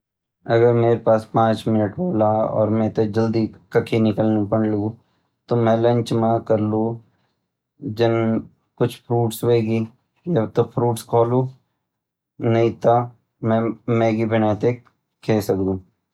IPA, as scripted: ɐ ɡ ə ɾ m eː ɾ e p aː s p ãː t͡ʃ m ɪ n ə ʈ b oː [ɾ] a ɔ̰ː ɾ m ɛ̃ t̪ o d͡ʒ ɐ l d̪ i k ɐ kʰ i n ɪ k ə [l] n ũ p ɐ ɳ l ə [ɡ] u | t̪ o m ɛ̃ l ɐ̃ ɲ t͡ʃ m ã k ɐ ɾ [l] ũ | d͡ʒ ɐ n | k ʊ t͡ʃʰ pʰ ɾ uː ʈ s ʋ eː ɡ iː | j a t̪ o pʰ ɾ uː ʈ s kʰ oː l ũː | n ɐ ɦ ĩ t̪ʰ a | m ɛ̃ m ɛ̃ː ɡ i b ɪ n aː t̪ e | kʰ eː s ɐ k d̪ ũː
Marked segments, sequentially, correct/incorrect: incorrect: l, correct, correct, correct

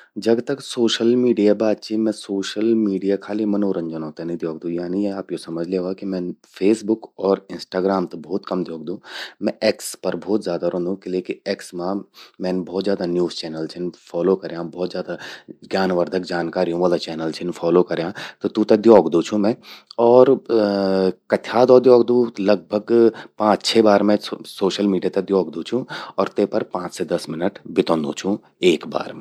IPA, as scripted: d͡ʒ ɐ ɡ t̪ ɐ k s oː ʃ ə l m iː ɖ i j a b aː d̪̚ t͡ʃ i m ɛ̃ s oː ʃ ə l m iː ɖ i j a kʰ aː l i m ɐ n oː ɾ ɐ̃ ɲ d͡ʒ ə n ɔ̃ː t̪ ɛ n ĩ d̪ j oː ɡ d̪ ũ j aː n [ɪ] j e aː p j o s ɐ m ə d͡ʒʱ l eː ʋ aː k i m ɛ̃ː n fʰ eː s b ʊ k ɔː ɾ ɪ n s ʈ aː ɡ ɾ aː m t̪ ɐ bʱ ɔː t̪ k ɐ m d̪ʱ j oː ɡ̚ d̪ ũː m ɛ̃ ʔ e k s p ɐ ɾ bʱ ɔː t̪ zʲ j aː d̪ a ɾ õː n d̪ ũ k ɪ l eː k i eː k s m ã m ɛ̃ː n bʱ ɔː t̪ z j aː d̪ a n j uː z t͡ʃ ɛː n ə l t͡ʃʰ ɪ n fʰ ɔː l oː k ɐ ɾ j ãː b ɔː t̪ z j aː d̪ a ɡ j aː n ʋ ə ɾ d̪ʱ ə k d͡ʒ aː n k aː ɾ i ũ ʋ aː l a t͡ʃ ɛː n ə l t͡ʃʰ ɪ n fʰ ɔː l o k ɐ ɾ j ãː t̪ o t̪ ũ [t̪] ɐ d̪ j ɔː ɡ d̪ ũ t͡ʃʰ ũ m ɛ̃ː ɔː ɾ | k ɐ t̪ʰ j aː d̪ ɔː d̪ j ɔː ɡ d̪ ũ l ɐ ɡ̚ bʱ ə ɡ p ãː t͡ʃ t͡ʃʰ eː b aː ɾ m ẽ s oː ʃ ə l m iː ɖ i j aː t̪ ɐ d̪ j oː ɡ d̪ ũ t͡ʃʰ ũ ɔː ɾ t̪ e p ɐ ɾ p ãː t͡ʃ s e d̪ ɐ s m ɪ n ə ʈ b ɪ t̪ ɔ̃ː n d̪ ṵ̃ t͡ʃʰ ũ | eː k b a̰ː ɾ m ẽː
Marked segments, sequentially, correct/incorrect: incorrect: i, correct

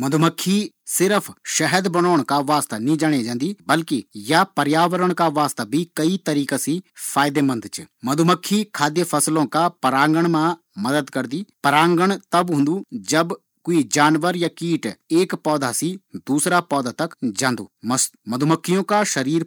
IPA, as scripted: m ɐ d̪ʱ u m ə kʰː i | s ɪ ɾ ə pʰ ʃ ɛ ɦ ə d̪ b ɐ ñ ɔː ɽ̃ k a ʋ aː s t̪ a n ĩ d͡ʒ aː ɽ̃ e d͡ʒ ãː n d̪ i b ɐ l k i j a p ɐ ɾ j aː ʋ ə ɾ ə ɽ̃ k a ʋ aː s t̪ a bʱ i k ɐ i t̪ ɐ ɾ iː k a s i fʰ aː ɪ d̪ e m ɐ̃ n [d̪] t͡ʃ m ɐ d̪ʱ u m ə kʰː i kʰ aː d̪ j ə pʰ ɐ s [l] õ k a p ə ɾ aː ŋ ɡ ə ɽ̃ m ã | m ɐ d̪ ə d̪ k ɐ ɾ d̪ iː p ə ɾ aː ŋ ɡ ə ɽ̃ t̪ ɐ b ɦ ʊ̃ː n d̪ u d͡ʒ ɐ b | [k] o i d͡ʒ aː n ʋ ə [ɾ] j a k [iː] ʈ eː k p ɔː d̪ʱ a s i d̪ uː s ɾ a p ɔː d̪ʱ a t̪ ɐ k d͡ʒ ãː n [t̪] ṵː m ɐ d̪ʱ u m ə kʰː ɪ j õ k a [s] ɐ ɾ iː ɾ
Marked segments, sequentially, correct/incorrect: correct, correct, correct, correct, correct, incorrect: d̪, incorrect: ʃ

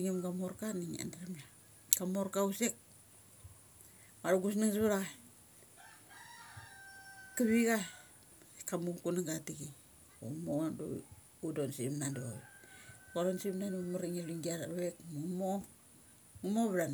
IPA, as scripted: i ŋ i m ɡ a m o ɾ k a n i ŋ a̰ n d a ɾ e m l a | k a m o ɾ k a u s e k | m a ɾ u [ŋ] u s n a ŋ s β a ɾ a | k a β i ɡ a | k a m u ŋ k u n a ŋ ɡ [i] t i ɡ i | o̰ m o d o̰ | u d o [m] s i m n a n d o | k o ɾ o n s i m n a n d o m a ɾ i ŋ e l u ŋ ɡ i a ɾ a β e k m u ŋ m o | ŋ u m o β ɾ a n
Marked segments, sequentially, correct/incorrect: incorrect: ɡ, incorrect: a, incorrect: n

